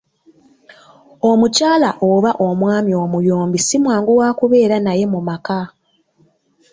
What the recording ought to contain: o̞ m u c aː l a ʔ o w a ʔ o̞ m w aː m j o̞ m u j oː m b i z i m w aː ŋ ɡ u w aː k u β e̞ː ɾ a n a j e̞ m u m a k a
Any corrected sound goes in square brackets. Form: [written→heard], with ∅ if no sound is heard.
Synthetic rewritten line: o̞ m u c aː l a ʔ o [w→β] a ʔ o̞ m w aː m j o̞ m u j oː m b i [z→s] i m w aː ŋ ɡ u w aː k u β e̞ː ɾ a n a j e̞ m u m a k a